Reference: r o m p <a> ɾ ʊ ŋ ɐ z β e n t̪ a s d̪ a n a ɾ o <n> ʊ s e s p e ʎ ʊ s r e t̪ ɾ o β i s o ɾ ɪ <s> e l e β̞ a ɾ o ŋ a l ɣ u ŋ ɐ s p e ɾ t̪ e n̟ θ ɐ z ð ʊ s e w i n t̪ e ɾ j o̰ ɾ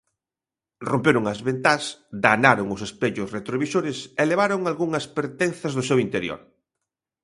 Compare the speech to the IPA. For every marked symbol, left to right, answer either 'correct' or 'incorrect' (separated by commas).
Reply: incorrect, incorrect, correct